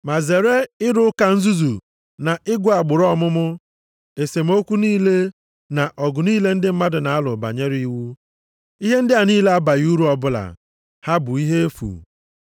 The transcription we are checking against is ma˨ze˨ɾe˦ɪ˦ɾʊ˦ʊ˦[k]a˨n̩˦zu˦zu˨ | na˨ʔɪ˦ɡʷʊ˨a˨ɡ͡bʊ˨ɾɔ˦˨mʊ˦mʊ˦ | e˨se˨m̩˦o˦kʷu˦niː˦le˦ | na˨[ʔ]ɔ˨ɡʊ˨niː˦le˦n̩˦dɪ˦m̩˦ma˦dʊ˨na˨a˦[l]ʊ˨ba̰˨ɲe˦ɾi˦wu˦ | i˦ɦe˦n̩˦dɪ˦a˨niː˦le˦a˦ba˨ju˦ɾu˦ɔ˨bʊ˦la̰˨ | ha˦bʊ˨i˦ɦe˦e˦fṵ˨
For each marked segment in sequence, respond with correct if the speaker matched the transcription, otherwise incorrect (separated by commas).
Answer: correct, correct, correct